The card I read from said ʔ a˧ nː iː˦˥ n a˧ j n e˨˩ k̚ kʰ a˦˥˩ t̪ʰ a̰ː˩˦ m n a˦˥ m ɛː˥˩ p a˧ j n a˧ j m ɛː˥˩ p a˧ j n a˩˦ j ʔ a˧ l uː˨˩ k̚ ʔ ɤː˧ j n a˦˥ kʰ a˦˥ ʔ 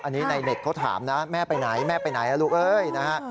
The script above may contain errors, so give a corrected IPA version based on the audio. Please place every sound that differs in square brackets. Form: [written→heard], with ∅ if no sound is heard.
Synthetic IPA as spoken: ʔ a˧ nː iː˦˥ n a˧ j n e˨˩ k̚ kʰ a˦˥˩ t̪ʰ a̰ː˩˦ m n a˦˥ m ɛː˥˩ p a˧ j n [a˧→a˩˦] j m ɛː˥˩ p a˧ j n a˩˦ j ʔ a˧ l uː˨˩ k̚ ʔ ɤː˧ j n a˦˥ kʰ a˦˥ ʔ